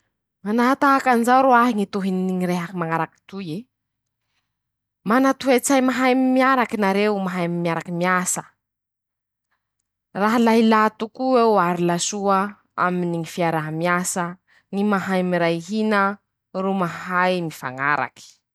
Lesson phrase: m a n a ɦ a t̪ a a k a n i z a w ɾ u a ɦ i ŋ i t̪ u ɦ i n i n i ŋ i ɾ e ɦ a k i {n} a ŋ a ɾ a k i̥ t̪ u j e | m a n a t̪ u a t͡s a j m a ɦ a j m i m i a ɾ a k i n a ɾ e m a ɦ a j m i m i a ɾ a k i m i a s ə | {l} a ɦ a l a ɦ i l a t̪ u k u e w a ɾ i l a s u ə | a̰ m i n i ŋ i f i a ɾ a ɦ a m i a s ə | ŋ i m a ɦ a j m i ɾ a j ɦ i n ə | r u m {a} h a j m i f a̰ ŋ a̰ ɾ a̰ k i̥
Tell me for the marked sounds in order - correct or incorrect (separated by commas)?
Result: incorrect, incorrect, correct